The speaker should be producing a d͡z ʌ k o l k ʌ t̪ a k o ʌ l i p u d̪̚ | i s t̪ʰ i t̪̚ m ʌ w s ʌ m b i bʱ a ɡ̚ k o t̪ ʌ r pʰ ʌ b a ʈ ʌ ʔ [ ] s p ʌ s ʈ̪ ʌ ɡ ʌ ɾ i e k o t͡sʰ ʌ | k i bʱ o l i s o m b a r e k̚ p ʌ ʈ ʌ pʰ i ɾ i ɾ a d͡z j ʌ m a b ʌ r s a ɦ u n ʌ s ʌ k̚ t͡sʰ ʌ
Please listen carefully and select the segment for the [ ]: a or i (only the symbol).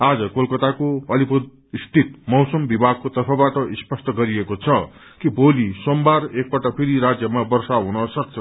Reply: i